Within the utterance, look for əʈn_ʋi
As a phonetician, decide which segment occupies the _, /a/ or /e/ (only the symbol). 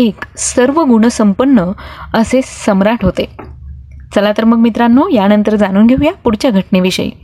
e